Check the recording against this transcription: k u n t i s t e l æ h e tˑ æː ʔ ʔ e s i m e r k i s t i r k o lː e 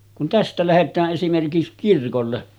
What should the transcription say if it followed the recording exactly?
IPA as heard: k u n t æ s t æ l æ h e tˑ æː ʔ ʔ e s i m e r k i s k i r k o lː e